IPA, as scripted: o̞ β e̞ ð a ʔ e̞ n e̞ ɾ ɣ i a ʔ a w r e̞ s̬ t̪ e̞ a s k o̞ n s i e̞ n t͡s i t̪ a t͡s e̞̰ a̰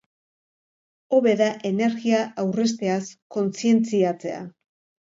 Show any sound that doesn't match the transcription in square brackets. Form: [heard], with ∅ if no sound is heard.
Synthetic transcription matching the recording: o̞ β e̞ ð a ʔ e̞ n e̞ ɾ ɣ i a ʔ a w r e̞ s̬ t̪ e̞ a s k o̞ n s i e̞ n t͡s i [∅] a t͡s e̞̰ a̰